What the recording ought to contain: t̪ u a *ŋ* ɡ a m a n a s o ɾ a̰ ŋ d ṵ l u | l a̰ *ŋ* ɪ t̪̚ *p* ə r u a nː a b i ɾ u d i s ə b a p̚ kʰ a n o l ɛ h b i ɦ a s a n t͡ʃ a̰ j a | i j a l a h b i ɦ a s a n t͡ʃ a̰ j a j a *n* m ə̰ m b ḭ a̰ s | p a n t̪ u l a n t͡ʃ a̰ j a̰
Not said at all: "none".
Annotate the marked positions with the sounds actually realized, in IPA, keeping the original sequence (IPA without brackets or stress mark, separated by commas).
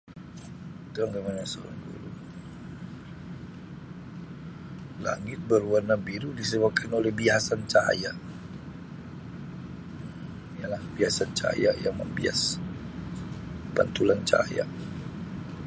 ŋ, ŋ, b, ŋ